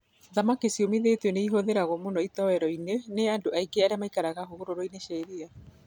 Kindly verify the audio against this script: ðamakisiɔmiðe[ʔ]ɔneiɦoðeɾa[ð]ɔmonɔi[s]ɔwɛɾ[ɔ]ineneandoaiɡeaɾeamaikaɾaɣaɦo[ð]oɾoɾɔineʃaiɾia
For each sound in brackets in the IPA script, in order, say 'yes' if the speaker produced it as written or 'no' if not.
no, no, no, yes, no

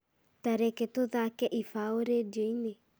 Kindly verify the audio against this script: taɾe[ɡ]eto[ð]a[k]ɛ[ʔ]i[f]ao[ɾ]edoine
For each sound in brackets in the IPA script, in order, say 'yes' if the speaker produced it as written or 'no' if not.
no, yes, yes, yes, yes, yes

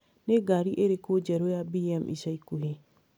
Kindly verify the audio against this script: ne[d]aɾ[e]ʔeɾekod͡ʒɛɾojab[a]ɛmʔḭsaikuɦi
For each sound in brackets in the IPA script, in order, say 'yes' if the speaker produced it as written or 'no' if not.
no, no, no

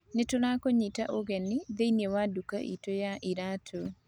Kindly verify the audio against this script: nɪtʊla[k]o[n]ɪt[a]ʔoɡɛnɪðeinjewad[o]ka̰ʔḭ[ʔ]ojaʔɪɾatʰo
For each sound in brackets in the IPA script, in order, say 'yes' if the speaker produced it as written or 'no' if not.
yes, no, yes, no, no

